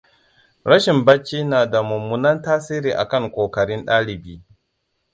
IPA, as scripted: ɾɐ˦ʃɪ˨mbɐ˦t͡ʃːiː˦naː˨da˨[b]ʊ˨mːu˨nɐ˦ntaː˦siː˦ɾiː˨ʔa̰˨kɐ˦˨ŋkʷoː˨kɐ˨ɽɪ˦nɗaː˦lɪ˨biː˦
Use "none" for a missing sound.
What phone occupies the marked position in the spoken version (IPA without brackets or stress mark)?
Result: m